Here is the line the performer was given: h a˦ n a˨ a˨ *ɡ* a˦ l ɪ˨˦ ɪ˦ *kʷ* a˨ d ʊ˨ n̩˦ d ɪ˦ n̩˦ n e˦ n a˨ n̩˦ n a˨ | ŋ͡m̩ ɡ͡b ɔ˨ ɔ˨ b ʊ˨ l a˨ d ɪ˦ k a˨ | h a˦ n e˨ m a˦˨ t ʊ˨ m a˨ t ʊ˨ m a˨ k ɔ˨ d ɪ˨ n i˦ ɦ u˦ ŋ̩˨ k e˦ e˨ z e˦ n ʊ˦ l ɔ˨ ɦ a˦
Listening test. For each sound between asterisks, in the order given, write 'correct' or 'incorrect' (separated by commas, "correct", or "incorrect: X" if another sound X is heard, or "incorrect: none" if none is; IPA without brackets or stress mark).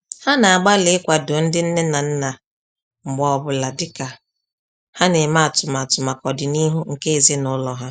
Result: incorrect: ɡ͡b, correct